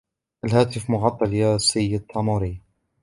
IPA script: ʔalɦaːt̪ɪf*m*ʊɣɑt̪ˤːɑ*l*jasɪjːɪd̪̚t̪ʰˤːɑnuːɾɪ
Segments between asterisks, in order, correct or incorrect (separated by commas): correct, correct